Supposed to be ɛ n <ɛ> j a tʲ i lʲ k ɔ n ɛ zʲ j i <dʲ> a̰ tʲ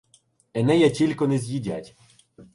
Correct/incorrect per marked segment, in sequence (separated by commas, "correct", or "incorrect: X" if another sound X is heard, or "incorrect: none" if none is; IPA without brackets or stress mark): correct, correct